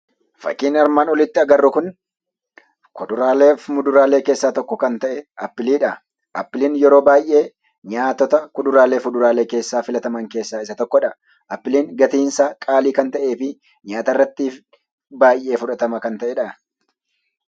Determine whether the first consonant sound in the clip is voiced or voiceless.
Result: voiceless